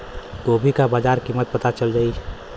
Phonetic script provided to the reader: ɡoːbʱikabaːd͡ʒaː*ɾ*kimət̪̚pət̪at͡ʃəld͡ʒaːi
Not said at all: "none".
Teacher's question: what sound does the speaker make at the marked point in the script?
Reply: ɾ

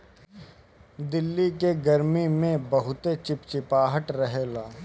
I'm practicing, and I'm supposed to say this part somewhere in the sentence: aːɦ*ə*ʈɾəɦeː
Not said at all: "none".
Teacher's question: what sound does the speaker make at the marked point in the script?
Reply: ə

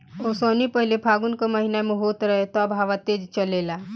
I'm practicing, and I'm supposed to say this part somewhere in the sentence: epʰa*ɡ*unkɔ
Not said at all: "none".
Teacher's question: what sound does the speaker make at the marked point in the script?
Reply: ɡ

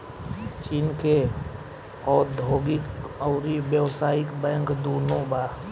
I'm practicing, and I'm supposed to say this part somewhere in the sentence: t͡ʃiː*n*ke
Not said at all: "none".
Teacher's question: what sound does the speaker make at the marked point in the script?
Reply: n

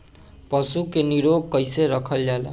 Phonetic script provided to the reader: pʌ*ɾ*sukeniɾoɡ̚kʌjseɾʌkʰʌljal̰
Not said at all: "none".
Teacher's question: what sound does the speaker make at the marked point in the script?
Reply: none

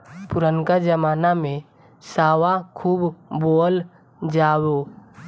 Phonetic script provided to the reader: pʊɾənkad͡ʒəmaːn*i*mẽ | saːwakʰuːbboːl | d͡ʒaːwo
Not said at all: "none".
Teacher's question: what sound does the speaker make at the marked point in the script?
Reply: a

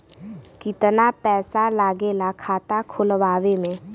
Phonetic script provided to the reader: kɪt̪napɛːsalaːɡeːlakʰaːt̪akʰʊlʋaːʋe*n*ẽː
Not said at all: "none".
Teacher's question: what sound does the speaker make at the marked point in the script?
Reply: m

